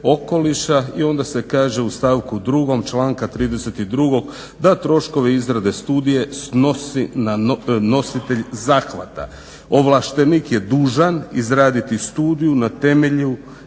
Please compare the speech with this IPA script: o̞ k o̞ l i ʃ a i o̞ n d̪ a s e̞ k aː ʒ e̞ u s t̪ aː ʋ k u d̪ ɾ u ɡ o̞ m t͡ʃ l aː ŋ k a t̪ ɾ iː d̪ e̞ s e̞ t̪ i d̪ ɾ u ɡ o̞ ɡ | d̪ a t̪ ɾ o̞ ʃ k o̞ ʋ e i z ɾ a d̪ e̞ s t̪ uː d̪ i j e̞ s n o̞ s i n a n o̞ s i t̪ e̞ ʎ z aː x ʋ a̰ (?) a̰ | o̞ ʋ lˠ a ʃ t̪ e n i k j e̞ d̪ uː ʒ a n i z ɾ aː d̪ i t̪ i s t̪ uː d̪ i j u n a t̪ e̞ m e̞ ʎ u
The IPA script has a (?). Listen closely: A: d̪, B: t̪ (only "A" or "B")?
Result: B